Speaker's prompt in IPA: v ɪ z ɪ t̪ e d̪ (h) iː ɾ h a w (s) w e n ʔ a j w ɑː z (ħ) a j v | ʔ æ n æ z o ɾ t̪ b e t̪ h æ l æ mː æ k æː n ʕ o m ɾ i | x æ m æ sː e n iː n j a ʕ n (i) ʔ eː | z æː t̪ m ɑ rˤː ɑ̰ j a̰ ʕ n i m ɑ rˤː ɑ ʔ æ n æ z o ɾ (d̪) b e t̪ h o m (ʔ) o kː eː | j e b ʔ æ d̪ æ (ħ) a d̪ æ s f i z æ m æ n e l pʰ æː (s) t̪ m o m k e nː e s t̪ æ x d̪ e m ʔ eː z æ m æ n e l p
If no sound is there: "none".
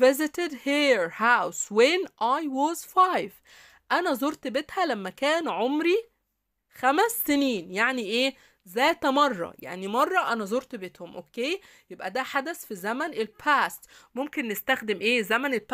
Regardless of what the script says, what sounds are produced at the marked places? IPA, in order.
h, s, f, i, t̪, ʔ, ħ, s

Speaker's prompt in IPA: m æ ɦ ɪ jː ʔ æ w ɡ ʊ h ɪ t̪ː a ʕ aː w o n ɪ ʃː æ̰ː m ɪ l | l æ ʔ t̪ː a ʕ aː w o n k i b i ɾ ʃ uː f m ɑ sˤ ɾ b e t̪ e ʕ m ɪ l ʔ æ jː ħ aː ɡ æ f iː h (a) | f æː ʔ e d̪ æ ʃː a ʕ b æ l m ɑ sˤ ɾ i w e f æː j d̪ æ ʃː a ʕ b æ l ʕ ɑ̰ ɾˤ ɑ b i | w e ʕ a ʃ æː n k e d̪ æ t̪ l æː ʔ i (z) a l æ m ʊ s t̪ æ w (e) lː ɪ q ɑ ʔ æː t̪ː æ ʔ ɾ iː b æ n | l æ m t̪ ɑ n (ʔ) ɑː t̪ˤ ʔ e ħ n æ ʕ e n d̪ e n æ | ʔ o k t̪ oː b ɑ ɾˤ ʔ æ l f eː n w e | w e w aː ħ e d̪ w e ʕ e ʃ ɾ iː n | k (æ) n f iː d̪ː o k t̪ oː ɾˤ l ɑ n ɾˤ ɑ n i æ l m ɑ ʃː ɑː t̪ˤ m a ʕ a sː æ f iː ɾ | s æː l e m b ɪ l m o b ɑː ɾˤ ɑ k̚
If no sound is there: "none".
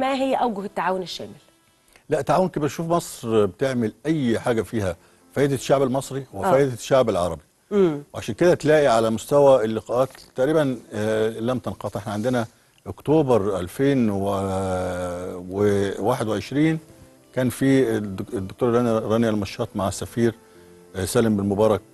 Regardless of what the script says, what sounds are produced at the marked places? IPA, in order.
æ, ʕ, æ, q, æː

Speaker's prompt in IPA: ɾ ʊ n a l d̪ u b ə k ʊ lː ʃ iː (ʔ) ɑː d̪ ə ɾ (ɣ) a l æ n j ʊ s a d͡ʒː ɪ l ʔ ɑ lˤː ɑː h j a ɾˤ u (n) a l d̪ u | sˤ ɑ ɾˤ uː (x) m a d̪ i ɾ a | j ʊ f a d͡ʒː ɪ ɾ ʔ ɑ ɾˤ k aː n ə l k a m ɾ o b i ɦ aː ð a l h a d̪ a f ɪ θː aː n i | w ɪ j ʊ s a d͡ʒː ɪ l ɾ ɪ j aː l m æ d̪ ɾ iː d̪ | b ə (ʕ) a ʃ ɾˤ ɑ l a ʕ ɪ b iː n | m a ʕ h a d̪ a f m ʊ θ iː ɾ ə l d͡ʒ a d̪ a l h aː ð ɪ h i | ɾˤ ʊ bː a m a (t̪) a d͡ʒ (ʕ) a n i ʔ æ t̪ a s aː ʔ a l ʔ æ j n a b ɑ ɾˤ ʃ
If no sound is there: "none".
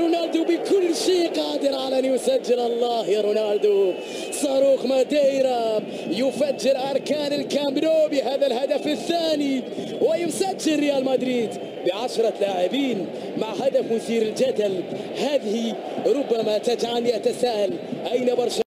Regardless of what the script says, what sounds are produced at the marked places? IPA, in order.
q, ʕ, n, x, ʕ, t̪, ʕ

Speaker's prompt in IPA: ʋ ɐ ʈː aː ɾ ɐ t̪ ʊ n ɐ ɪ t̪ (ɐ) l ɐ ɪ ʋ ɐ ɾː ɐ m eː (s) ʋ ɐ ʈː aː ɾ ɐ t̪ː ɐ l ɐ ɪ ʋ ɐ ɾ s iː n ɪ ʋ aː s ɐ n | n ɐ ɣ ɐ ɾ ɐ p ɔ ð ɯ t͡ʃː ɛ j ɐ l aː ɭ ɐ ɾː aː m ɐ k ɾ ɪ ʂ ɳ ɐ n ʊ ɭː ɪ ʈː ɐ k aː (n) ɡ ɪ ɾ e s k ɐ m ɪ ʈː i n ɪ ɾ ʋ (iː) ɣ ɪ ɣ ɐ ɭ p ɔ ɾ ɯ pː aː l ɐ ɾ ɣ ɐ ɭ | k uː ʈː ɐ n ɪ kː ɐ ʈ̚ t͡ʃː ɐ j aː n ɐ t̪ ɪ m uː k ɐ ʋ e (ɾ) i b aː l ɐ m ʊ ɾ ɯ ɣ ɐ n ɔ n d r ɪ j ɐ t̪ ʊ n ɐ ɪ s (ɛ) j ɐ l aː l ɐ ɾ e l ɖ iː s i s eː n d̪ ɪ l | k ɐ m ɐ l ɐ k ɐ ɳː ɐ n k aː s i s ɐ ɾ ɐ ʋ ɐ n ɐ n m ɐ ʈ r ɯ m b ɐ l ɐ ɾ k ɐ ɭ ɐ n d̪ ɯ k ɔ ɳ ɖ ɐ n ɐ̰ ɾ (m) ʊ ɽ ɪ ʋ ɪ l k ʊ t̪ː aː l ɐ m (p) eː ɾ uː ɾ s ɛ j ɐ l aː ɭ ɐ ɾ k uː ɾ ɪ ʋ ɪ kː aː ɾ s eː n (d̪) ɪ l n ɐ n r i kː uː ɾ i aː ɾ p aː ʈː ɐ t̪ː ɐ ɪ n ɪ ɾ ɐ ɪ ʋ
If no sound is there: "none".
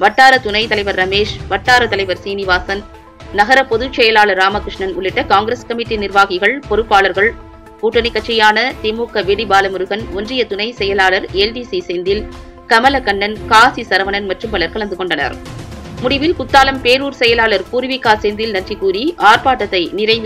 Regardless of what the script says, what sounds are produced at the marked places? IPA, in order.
ɐ, ʂ, ŋ, aː, ɽ, ɛ, m, p, d̪

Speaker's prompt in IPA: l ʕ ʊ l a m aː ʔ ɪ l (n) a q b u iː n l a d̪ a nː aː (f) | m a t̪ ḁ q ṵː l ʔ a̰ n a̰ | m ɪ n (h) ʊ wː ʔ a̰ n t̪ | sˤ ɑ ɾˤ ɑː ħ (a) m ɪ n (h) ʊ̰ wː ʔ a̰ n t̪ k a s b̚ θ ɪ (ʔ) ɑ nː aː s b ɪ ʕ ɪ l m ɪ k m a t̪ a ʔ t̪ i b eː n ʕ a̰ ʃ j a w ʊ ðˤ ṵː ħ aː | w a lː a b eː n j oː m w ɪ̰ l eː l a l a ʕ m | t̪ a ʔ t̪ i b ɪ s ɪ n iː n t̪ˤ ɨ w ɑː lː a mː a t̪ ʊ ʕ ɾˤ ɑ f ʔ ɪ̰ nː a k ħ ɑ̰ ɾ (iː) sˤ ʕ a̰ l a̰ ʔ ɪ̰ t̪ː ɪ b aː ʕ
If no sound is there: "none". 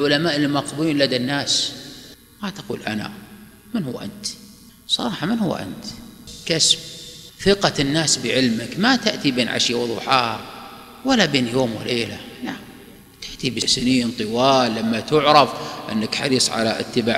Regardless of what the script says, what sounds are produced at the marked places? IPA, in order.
m, s, h, ɑ, h, q, iː

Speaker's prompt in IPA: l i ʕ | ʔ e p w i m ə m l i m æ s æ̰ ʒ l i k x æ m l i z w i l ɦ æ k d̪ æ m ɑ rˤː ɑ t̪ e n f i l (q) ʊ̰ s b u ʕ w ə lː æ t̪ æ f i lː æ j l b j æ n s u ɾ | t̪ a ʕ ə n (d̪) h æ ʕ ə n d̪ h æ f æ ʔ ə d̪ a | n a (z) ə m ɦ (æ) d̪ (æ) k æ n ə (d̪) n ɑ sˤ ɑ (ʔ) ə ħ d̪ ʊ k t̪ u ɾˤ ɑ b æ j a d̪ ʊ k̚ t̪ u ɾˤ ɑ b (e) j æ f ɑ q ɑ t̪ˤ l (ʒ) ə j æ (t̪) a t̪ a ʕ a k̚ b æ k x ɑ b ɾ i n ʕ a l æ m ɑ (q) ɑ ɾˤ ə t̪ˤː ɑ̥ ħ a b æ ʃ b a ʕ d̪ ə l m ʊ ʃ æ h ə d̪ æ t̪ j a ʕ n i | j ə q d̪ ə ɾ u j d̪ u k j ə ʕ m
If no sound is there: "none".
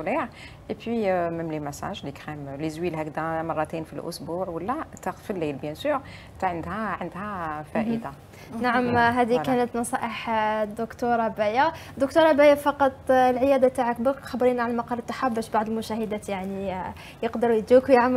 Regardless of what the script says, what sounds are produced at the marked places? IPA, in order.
ʔ, d̪, ʕ, æ, i, t̪, ʔ, æ, ʕ, d̪, q

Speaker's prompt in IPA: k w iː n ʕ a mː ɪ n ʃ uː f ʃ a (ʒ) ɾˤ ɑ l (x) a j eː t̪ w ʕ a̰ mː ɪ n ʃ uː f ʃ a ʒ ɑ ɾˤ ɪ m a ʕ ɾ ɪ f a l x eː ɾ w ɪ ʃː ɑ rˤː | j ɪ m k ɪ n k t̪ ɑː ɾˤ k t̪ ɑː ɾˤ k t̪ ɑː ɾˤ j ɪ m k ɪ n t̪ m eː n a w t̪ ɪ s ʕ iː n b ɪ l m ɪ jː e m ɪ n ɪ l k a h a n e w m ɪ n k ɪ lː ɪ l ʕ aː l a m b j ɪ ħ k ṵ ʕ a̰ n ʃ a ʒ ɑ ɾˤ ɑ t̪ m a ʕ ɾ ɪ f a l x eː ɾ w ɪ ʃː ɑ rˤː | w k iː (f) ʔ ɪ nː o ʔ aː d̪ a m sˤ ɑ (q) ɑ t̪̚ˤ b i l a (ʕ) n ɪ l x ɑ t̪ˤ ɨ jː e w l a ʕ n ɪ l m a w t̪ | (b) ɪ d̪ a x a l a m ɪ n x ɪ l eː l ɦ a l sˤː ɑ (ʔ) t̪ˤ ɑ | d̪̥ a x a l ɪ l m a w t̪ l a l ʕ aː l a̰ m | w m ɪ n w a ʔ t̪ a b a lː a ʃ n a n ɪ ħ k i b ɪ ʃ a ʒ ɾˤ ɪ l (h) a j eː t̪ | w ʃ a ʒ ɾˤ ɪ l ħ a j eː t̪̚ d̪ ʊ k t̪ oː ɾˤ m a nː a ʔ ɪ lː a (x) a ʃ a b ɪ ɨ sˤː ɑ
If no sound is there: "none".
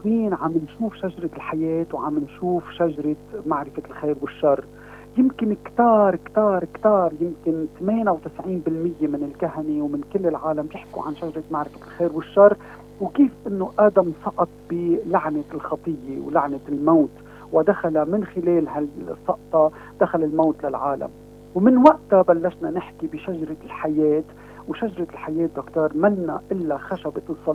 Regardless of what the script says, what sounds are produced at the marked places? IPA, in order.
ʒ, ħ, f, ʔ, ʕ, w, ʔ, ħ, x

